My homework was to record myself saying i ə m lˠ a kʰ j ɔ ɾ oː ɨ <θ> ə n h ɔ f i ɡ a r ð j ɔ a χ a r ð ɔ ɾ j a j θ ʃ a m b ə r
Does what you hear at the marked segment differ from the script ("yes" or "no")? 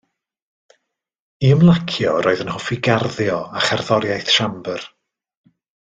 yes